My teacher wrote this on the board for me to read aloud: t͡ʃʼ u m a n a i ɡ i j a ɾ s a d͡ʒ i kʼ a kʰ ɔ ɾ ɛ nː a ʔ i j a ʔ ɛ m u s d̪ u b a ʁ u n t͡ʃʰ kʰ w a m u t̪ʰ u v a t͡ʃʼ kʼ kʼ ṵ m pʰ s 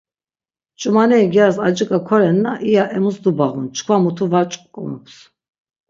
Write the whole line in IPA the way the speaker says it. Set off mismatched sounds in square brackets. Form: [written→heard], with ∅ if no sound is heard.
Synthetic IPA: t͡ʃʼ u m a n [a→ɛ] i ɡ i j a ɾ s a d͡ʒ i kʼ a kʰ ɔ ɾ ɛ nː a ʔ i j a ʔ ɛ m u s d̪ u b a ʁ u n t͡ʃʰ kʰ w a m u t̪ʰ u v a t͡ʃʼ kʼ kʼ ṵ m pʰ s